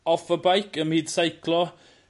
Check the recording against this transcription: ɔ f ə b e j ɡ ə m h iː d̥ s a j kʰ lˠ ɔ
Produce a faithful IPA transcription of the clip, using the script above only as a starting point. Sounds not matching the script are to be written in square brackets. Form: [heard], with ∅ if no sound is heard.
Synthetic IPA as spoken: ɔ f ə b [a] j [k] ə m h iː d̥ s a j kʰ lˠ ɔ